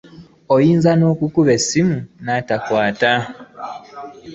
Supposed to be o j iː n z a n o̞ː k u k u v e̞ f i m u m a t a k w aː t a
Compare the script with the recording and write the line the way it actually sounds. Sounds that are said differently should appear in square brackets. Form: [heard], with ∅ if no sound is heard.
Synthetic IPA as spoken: o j iː n z a n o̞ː k u k u [β] e̞ [s] i m u [n] a t a k w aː t a

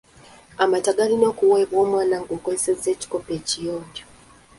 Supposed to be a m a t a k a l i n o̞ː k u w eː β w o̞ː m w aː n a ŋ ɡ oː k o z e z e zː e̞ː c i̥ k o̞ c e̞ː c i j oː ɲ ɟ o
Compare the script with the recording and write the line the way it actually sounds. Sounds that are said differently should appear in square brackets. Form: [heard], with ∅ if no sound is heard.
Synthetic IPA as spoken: a m a t a [ɡ] a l i n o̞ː k u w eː β w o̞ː m w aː n a ŋ ɡ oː k o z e [s] e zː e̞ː c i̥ k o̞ [p] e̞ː c i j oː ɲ ɟ o

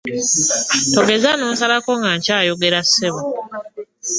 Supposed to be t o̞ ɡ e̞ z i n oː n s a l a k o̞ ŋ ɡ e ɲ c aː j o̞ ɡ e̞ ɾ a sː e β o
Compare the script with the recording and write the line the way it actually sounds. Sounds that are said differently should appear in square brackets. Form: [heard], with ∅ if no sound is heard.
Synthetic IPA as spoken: t o̞ ɡ e̞ z [a] n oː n s a l a k o̞ ŋ ɡ [a] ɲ c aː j o̞ ɡ e̞ ɾ a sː e β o

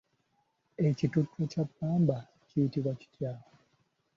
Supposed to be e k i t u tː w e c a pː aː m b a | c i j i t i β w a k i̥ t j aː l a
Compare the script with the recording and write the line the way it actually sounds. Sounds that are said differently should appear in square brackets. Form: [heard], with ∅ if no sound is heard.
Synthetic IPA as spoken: e [c] i t u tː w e c a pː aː m b a | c i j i t i β w a [c] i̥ t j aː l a

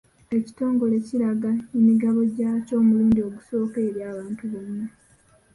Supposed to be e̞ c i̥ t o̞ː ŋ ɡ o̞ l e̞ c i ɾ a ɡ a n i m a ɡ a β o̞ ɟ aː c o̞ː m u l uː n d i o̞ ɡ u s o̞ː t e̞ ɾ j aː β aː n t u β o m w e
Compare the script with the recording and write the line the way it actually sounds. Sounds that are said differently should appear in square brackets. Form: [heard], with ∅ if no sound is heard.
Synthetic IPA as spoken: e̞ c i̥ t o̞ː ŋ ɡ o̞ l e̞ c i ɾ a ɡ a n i m [i] ɡ a β o̞ ɟ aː c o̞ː m u l uː n d i o̞ ɡ u s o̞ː [k] e̞ ɾ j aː β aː n t u β o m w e

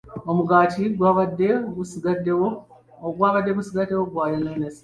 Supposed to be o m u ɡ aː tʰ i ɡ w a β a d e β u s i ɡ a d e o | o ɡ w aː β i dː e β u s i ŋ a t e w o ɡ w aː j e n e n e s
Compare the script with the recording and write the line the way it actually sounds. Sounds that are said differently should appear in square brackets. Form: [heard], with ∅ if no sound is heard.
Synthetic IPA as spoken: o m u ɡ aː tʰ i ɡ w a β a d e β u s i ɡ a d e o | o ɡ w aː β [a] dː e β u s i [ɡ] a t e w o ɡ w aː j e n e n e s

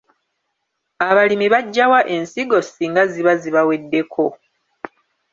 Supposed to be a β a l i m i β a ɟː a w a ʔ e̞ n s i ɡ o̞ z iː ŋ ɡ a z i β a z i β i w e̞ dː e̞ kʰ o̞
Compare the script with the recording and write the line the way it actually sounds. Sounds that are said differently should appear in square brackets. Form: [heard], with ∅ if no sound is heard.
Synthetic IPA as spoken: a β a l i m i β a ɟː a w a ʔ e̞ n s i ɡ o̞ [s] iː ŋ ɡ a z i β a z i β [a] w e̞ dː e̞ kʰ o̞

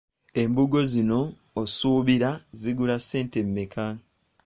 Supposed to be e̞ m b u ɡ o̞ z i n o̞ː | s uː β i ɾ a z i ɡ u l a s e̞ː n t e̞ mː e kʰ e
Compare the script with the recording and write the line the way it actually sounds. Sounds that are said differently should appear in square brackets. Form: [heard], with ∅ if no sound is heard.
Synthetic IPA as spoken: e̞ m b u ɡ o̞ z i n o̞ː | s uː β i ɾ a z i ɡ u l a s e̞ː n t e̞ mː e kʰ [a]

